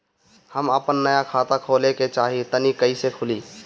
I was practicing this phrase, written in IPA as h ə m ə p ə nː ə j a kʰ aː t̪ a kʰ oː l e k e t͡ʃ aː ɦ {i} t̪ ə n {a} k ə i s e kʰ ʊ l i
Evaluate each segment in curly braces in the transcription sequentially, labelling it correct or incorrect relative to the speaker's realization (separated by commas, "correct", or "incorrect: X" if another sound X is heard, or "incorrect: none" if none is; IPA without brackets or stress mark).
correct, incorrect: i